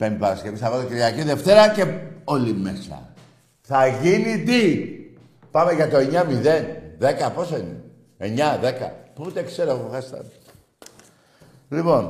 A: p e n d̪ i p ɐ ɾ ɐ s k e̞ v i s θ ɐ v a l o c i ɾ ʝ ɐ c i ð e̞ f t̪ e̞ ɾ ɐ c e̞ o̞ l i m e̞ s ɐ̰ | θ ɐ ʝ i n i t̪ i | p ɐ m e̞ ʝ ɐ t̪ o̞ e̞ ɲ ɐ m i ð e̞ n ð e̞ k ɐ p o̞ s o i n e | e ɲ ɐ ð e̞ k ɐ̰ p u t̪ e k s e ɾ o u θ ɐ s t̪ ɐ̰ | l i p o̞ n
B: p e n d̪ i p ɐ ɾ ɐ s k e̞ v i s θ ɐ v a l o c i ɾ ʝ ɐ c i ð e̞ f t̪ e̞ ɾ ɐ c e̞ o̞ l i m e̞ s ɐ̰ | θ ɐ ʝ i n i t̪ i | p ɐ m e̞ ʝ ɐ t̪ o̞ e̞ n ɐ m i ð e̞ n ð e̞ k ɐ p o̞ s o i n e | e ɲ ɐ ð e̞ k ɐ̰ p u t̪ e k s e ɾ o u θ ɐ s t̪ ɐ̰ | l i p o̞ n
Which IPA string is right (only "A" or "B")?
A